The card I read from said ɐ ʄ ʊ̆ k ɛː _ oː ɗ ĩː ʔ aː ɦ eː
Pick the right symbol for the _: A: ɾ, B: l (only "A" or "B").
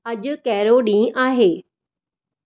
A